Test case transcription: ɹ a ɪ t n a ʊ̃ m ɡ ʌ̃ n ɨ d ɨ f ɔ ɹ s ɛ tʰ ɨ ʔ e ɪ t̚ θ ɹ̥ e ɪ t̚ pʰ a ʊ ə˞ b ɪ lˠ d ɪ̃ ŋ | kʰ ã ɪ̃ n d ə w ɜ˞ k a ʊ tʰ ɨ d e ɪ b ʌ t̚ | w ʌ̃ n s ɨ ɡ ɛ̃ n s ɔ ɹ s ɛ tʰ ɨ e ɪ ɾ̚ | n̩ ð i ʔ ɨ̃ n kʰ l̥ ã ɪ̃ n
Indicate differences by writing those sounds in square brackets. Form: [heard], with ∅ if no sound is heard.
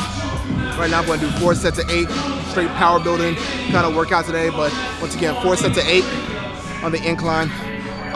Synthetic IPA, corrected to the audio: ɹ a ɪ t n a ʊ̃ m ɡ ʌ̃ n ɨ d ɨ f ɔ ɹ s ɛ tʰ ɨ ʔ e ɪ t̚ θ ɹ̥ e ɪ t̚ pʰ a ʊ ə˞ b ɪ lˠ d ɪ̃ ŋ | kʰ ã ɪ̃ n d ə w ɜ˞ k a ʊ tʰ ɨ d e ɪ b ʌ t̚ | w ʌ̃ n s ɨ ɡ ɛ̃ n [f] ɔ ɹ s ɛ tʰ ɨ e ɪ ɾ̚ | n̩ ð i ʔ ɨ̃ n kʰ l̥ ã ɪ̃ n

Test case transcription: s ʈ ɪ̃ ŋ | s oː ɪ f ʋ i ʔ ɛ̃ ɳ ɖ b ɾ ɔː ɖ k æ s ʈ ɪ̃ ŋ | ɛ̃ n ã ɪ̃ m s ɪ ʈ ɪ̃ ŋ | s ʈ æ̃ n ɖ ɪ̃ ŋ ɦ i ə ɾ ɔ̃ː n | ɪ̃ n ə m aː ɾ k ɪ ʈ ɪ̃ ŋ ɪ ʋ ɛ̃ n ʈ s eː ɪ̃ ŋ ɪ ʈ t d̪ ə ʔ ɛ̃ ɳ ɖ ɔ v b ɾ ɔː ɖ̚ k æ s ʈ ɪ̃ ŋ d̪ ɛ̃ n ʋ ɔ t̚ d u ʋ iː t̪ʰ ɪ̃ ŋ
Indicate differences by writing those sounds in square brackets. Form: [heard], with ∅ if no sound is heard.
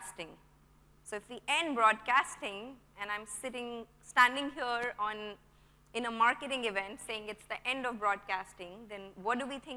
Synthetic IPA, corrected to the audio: s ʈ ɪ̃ ŋ | s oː ɪ f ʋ i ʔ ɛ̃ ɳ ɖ b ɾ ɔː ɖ k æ s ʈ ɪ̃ ŋ | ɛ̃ n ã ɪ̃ m s ɪ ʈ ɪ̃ ŋ | s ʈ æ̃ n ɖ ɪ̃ ŋ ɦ i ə ɾ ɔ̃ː n | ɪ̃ n ə m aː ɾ k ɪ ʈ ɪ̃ ŋ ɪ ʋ ɛ̃ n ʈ s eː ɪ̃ ŋ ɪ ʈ [s] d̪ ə ʔ ɛ̃ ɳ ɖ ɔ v b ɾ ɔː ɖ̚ k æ s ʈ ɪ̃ ŋ d̪ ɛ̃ n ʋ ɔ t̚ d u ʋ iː t̪ʰ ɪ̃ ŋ

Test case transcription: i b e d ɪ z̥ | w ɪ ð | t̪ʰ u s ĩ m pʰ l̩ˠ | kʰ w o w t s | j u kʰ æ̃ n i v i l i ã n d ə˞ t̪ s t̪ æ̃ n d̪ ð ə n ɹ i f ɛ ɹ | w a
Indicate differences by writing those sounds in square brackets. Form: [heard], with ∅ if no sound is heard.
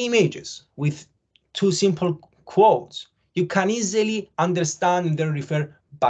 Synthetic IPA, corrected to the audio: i [m] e [d͡ʒ] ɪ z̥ | w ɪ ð | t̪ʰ u s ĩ m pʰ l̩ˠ | kʰ w o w t s | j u kʰ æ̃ n i [z] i l i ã n d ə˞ [∅] s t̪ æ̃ n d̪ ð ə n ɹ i f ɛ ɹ | [b] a

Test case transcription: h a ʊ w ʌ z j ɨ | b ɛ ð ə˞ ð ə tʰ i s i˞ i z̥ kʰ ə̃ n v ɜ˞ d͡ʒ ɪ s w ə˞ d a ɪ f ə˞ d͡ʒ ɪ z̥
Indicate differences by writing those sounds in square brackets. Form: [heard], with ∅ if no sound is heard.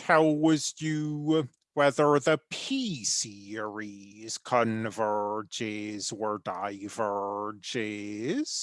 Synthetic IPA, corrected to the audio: h a ʊ w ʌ z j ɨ | [w] ɛ ð ə˞ ð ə [pʰ] i s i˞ i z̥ kʰ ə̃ n v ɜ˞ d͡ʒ ɪ [z] w ə˞ d a ɪ [v] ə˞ d͡ʒ ɪ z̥

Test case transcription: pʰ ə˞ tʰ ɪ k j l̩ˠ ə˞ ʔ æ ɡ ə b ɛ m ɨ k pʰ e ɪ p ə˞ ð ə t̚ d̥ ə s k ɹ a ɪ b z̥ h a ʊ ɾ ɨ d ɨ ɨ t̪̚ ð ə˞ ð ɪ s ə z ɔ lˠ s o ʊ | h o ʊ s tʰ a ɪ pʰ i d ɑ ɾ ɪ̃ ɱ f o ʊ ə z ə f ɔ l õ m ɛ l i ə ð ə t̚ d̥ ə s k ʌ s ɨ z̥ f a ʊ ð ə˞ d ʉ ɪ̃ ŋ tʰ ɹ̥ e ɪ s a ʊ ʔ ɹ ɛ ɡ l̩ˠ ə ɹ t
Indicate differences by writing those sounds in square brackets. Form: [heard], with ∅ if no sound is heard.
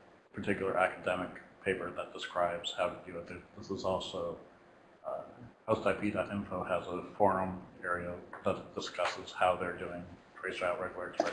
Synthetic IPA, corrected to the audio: pʰ ə˞ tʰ ɪ k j l̩ˠ ə˞ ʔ æ [k] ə [d] ɛ m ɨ k pʰ e ɪ p ə˞ ð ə t̚ d̥ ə s k ɹ a ɪ b z̥ h a ʊ ɾ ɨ d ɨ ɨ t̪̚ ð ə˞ ð ɪ s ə z ɔ lˠ s o ʊ | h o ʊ s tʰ a ɪ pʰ i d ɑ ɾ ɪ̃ ɱ f o ʊ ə z ə f ɔ [ɹ] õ m ɛ [ɹ] i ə ð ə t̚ d̥ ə s k ʌ s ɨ z̥ [h] a ʊ ð ə˞ d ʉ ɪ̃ ŋ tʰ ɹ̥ e ɪ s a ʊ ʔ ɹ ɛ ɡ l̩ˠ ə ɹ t

